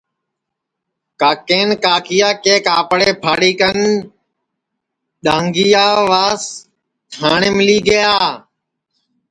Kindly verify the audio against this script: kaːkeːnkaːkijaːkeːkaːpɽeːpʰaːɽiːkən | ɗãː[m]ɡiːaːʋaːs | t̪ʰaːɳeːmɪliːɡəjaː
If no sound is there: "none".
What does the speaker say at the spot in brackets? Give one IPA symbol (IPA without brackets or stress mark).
ŋ